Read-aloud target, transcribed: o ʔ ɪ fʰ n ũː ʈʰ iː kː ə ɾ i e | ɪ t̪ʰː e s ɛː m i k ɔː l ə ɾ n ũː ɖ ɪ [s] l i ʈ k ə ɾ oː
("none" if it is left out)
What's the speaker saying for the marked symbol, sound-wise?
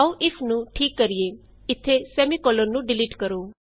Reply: none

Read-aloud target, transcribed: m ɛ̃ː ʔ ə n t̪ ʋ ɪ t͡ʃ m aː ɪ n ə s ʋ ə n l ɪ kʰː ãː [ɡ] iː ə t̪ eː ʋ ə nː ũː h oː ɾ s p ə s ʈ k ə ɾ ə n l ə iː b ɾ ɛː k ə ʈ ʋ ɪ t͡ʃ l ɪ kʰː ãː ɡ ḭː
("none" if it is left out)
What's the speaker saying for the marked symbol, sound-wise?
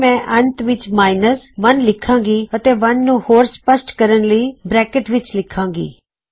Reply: ɡ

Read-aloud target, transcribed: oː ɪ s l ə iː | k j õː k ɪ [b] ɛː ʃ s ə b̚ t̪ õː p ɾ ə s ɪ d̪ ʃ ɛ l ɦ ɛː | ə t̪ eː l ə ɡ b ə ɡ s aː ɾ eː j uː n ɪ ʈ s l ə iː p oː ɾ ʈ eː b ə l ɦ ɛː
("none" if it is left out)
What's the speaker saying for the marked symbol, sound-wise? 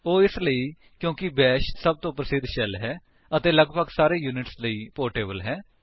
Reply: b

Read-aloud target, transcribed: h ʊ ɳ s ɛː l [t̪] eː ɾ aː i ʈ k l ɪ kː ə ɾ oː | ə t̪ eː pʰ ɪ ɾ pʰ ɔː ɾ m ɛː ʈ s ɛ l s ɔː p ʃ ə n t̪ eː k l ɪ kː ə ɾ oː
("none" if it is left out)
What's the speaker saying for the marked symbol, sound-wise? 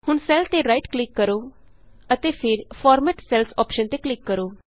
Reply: t̪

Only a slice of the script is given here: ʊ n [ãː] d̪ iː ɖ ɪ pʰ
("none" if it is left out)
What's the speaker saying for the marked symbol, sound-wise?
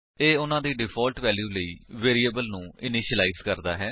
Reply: ãː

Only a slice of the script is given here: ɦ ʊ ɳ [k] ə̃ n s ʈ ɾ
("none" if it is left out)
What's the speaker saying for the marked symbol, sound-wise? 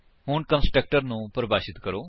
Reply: k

